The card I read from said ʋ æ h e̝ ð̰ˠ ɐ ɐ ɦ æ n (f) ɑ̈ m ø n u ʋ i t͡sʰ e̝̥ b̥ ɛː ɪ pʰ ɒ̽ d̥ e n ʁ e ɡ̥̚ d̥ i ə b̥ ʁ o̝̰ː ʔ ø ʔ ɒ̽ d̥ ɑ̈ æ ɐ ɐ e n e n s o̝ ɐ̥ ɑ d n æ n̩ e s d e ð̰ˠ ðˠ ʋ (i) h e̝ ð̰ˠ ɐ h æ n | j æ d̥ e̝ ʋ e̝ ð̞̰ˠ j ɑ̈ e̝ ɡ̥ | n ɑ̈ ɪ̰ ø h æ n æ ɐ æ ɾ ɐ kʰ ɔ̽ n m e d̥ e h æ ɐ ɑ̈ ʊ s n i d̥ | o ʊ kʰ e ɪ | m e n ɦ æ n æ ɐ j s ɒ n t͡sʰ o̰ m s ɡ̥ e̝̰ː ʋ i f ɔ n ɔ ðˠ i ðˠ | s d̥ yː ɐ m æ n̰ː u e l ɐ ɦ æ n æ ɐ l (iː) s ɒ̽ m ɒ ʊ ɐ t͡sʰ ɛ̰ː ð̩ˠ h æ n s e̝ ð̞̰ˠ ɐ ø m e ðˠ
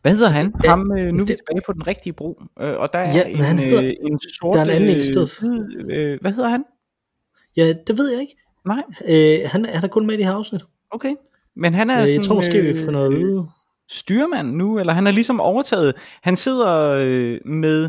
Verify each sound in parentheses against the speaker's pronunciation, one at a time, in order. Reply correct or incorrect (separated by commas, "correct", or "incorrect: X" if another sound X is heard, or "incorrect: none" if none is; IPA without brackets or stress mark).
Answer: incorrect: h, incorrect: æ, incorrect: i